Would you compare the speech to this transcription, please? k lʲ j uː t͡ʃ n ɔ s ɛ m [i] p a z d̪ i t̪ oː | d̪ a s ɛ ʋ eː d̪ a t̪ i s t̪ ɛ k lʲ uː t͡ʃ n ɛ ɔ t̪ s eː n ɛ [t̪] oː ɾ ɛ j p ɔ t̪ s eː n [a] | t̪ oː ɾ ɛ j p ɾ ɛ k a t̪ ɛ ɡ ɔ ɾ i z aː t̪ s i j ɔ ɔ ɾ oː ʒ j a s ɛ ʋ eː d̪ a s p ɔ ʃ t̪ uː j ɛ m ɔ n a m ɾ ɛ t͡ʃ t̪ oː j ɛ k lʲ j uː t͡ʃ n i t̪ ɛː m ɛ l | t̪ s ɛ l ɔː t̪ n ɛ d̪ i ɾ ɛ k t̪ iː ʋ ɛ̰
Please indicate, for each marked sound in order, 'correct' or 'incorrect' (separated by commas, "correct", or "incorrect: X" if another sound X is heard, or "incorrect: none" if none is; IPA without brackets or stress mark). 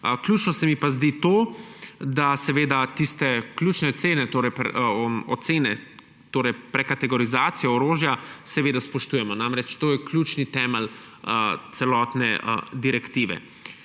correct, correct, incorrect: ɛ